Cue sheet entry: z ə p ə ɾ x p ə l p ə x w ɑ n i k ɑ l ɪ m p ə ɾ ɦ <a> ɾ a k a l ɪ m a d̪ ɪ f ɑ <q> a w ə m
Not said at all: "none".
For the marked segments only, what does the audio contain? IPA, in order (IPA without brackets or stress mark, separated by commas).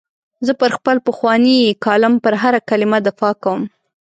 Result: a, k